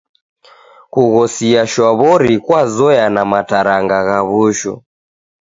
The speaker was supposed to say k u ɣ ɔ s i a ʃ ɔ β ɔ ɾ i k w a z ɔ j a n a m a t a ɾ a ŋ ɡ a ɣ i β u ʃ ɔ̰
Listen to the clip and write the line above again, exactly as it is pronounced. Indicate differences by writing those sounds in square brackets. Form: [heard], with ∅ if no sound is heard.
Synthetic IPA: k u ɣ ɔ s i a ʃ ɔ β ɔ ɾ i k w a z ɔ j a n a m a t a ɾ a ŋ ɡ a ɣ [a] β u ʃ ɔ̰